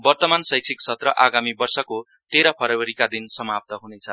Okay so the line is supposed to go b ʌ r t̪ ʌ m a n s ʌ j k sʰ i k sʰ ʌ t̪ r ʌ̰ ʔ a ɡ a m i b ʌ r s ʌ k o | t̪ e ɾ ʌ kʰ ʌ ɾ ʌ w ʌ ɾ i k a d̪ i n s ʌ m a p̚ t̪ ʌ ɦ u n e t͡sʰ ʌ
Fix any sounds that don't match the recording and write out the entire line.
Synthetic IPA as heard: b ʌ r t̪ ʌ m a n s ʌ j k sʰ i k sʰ ʌ t̪ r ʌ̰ ʔ a ɡ a m i b ʌ r s ʌ k o | t̪ e ɾ ʌ pʰ ʌ ɾ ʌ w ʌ ɾ i k a d̪ i n s ʌ m a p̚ t̪ ʌ ɦ u n e t͡sʰ ʌ